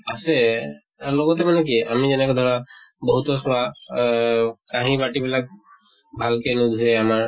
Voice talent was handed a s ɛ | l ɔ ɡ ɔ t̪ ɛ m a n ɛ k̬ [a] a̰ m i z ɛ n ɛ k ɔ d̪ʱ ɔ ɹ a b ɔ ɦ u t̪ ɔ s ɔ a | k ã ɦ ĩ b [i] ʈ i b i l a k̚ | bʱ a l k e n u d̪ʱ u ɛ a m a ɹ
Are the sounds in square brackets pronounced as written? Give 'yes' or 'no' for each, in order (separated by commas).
no, no